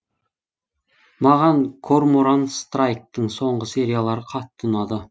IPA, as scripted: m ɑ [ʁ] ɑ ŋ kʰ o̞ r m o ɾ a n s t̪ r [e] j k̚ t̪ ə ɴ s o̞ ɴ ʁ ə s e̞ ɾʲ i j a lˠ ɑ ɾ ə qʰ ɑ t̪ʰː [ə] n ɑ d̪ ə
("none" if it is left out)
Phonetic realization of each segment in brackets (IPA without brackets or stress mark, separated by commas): ʁ, a, ə